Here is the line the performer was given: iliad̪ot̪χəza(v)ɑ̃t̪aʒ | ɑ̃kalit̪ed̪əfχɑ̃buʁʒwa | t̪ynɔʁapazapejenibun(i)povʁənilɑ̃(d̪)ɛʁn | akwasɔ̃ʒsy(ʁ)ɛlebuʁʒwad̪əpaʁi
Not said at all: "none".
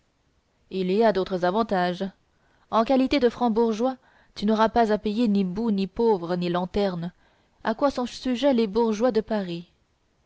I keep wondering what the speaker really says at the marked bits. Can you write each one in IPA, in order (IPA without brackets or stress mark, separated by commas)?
v, i, t̪, ʒ